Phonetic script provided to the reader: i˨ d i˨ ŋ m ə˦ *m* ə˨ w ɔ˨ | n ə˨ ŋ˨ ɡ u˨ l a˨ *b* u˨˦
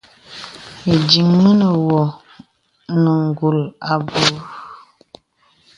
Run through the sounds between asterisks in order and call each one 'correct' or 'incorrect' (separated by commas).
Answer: incorrect, correct